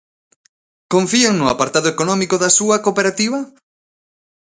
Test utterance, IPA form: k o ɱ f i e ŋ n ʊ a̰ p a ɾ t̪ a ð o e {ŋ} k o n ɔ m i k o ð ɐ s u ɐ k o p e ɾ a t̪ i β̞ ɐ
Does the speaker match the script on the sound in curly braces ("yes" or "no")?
no